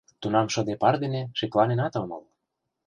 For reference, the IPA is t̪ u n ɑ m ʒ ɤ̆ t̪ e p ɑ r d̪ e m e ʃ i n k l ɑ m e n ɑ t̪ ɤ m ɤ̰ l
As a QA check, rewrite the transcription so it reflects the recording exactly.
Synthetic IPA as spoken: t̪ u n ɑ m ʃ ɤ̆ d̪ e p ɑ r d̪ e n e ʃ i k l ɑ n e n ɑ t̪ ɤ m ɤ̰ l